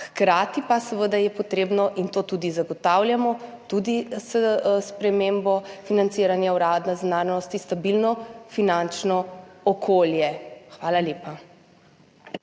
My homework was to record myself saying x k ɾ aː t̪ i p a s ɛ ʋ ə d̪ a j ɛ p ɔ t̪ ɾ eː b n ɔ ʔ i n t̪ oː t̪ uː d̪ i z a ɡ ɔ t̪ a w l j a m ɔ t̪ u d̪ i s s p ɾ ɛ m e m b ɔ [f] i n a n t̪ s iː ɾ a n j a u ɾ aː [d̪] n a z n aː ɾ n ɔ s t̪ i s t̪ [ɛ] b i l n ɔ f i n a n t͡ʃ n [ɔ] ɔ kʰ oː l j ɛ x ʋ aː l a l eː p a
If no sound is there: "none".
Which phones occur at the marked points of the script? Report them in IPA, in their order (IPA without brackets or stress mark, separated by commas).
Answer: f, d̪, a, ɔ